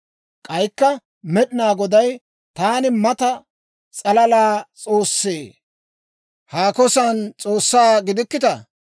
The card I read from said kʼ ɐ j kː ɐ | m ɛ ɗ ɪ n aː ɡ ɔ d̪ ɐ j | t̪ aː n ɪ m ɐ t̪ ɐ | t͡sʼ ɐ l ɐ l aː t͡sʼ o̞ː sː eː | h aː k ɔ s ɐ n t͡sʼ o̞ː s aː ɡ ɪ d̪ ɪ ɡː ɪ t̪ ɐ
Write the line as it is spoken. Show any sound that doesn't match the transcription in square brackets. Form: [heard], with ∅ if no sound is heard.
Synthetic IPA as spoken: kʼ ɐ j kː ɐ | m ɛ ɗ ɪ n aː ɡ ɔ d̪ ɐ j | t̪ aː n ɪ m ɐ t̪ ɐ | t͡sʼ ɐ l ɐ l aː t͡sʼ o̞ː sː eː | h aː k ɔ s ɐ n t͡sʼ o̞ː [sː] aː ɡ ɪ d̪ ɪ [kː] ɪ t̪ ɐ